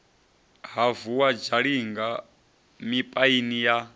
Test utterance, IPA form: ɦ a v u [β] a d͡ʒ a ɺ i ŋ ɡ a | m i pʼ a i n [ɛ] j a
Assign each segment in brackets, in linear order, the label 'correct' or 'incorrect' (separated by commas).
incorrect, incorrect